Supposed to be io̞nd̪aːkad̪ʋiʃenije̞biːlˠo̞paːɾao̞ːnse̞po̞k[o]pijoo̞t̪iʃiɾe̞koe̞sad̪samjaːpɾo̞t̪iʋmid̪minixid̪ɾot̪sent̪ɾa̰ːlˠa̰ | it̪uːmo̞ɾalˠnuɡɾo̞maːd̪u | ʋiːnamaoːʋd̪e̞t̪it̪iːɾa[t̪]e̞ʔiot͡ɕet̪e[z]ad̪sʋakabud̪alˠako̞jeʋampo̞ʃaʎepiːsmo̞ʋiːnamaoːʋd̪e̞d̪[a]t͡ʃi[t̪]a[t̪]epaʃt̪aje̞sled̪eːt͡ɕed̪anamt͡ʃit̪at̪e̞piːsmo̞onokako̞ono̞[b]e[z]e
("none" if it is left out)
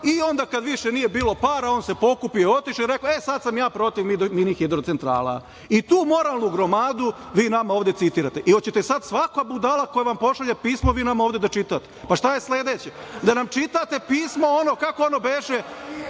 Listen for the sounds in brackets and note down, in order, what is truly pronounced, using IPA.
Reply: u, t̪, s, a, t̪, t̪, b, ʒ

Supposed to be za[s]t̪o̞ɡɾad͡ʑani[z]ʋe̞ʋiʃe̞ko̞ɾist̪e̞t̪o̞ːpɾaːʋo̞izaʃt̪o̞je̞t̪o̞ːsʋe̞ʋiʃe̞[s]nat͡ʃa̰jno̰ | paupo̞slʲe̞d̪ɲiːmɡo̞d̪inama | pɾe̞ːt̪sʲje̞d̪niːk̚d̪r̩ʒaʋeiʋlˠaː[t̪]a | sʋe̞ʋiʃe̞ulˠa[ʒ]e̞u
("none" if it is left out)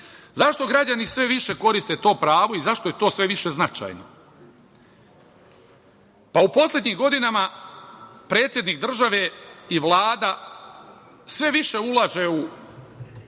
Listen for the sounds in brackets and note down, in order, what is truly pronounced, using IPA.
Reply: ʃ, s, z, d̪, ʒ

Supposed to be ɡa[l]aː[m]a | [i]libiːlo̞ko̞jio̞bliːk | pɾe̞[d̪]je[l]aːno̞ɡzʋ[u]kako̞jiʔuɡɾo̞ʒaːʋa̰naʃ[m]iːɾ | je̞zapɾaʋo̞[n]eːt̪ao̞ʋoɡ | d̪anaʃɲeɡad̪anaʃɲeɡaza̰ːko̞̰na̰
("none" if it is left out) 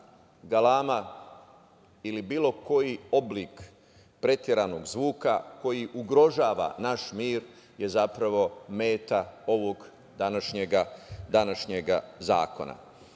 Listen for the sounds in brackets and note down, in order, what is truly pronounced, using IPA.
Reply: l, m, i, t̪, ɾ, uː, m, m

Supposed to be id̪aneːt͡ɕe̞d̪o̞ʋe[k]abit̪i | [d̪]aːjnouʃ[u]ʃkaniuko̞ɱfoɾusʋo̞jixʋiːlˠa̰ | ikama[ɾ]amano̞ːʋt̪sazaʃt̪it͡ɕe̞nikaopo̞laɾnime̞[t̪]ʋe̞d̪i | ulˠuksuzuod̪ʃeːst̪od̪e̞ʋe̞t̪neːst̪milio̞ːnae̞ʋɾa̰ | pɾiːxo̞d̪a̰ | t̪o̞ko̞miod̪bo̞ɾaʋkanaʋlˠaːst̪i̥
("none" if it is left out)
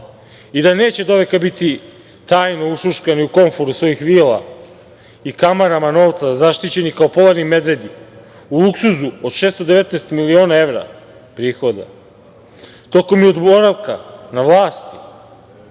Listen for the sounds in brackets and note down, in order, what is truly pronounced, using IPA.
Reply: k, t̪, u, ɾ, d̪

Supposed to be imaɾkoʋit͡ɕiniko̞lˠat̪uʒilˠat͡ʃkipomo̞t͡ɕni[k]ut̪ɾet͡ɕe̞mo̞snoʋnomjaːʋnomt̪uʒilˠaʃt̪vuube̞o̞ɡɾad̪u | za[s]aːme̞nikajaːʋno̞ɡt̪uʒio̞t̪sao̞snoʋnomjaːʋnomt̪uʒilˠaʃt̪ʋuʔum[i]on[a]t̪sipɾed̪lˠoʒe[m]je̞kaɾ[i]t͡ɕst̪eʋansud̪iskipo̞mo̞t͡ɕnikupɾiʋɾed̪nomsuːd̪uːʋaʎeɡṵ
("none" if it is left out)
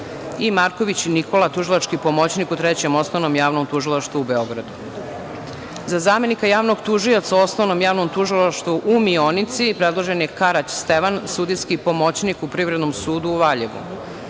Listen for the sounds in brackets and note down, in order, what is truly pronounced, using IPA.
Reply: k, z, i, i, n, a

